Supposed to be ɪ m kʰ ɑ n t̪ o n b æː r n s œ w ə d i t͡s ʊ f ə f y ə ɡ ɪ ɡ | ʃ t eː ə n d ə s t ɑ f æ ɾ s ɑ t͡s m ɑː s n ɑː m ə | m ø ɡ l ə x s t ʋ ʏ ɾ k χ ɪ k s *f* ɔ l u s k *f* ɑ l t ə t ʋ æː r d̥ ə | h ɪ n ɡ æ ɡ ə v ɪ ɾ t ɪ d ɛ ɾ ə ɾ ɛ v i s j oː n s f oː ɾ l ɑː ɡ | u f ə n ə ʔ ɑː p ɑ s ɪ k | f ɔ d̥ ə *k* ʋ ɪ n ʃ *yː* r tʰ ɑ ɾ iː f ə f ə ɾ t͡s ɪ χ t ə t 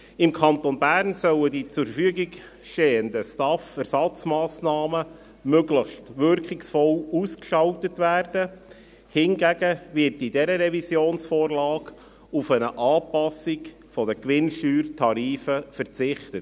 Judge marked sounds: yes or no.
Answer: yes, no, yes, yes

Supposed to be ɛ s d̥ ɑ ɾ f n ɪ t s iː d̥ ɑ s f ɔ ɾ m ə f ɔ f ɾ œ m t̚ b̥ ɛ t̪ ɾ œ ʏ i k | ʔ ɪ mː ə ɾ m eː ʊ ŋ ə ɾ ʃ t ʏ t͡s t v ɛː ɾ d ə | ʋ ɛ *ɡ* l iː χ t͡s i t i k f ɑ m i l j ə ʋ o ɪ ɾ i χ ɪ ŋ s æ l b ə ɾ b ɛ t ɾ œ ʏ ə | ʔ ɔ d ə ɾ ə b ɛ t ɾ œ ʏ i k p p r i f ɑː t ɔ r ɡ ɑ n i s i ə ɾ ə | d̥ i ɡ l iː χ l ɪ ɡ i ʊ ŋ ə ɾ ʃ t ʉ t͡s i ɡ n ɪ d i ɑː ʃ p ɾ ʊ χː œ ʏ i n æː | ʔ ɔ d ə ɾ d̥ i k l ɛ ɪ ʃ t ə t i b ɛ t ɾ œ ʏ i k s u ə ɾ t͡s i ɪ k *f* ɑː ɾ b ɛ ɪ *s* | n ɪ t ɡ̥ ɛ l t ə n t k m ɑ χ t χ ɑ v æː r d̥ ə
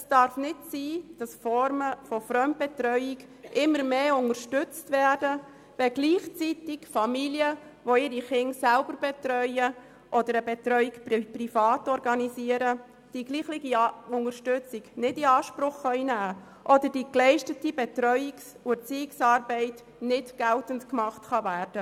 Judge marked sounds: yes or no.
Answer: yes, no, no

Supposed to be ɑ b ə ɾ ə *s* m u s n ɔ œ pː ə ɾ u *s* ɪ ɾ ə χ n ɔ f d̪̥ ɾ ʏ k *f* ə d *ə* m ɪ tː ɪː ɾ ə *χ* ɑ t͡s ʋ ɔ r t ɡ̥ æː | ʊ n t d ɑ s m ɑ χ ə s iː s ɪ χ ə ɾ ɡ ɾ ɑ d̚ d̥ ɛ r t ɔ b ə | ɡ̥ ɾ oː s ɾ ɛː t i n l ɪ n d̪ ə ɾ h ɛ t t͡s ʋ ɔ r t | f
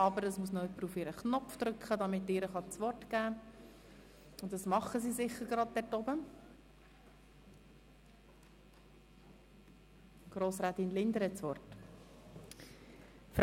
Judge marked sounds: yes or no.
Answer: yes, no, no, no, yes

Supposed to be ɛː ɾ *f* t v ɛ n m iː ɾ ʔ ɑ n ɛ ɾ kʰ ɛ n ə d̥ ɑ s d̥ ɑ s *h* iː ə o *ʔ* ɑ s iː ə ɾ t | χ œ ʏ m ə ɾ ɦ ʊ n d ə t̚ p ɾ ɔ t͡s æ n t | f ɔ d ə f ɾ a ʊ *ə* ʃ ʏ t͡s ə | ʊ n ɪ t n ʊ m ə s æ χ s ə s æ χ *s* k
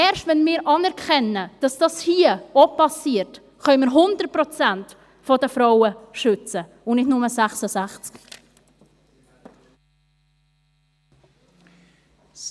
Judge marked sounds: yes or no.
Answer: no, yes, no, yes, no

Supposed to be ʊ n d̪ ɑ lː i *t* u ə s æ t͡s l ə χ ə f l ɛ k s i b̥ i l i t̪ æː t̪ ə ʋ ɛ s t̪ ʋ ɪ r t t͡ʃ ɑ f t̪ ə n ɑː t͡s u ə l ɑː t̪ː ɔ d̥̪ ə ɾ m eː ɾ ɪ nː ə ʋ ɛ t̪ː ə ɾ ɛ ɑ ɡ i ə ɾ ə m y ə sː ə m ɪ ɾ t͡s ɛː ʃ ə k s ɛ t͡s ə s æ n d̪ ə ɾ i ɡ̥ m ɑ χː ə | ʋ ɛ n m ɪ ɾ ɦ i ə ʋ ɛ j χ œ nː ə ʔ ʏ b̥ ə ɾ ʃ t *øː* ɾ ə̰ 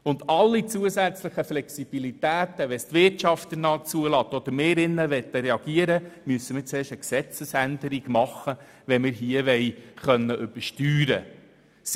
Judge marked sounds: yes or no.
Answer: no, no

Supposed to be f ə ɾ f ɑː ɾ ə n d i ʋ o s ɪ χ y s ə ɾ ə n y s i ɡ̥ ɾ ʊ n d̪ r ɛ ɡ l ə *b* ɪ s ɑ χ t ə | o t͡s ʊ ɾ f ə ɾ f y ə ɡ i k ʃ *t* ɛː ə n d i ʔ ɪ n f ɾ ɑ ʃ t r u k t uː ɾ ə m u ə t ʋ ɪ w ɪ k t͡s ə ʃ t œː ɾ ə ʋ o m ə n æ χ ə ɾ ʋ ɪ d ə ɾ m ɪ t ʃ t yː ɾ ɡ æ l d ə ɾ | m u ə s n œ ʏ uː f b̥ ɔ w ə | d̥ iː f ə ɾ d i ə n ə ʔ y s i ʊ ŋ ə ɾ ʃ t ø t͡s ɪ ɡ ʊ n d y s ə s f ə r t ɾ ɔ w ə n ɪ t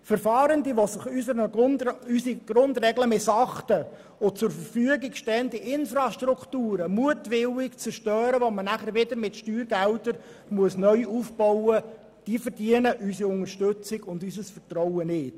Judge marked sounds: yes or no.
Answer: no, yes

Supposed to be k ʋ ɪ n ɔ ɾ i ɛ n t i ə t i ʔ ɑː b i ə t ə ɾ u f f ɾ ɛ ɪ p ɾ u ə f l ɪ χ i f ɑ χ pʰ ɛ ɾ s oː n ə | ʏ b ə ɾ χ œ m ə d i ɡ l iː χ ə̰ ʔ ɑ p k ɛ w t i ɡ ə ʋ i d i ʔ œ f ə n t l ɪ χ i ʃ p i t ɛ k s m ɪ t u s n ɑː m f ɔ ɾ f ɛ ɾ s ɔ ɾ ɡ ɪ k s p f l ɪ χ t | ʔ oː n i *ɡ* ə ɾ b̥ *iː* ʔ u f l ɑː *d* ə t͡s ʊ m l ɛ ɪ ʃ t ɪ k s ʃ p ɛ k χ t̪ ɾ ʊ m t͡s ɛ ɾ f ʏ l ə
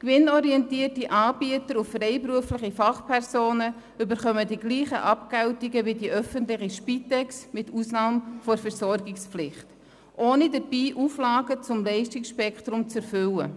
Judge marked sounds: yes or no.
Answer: no, yes, no

